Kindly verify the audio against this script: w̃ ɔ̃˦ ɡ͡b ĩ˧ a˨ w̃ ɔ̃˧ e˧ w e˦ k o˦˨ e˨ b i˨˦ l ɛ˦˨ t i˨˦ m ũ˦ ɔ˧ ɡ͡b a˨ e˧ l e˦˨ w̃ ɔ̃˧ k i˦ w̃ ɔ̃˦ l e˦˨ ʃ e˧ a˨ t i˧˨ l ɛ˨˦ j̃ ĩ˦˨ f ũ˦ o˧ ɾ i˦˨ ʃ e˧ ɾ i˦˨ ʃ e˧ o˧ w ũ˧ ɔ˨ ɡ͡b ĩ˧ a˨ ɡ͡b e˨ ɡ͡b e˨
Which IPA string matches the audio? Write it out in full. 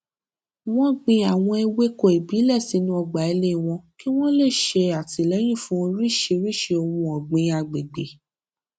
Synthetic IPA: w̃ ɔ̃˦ ɡ͡b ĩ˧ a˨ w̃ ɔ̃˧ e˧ w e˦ k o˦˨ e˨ b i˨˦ l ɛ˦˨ s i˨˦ n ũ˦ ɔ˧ ɡ͡b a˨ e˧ l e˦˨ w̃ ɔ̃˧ k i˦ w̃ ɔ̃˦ l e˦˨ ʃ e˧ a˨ t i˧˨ l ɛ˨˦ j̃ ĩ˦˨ f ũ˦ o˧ ɾ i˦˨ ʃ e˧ ɾ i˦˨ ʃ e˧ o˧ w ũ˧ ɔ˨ ɡ͡b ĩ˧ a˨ ɡ͡b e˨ ɡ͡b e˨